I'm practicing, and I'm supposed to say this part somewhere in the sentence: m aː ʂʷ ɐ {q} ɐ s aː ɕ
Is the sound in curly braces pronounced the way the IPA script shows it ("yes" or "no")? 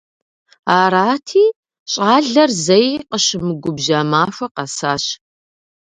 yes